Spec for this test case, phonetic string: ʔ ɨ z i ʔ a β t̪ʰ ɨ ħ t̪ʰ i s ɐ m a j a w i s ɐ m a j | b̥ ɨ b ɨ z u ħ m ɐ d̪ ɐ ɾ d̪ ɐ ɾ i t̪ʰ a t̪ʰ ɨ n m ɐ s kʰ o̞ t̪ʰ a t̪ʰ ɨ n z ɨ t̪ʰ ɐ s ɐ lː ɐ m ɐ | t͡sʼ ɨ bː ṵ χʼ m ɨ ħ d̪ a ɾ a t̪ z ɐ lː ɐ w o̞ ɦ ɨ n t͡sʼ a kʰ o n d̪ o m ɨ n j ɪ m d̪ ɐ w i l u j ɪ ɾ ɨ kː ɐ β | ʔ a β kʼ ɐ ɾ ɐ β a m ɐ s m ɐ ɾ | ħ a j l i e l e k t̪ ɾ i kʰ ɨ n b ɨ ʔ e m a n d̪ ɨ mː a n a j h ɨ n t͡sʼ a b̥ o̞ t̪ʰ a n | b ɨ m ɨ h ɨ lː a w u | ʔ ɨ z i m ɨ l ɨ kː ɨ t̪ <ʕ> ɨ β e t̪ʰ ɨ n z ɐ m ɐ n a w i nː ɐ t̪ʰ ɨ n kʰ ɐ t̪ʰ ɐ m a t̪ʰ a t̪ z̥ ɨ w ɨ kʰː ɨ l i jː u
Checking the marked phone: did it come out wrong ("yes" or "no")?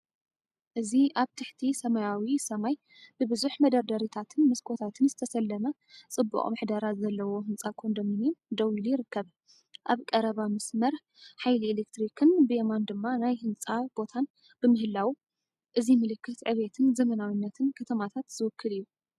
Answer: no